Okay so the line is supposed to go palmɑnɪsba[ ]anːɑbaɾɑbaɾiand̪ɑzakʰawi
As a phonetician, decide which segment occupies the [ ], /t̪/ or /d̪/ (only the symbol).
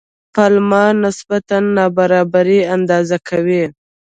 t̪